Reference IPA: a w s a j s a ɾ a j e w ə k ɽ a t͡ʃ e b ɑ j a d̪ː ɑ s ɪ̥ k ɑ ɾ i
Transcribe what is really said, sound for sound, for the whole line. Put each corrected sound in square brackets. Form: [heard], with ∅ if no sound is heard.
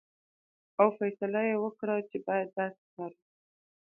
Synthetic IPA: a w [f] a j s a [l] a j e w ə k ɽ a t͡ʃ e b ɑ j a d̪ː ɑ s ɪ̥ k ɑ ɾ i